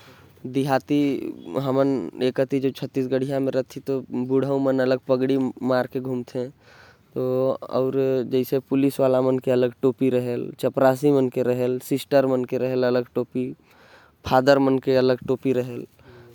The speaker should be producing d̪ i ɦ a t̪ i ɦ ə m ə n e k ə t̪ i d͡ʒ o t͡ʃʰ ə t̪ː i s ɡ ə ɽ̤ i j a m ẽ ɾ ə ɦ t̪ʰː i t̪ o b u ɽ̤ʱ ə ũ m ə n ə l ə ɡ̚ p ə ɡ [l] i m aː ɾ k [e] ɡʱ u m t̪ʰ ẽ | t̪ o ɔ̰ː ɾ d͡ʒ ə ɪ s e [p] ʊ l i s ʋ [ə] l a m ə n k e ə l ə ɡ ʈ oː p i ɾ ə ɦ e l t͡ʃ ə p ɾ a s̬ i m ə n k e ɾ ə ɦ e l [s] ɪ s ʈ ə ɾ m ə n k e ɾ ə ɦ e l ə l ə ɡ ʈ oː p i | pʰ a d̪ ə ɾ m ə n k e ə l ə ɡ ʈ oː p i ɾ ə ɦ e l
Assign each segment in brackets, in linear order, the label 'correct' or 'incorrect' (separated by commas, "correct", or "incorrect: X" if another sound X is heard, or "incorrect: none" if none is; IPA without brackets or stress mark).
incorrect: ɽ, correct, correct, incorrect: a, correct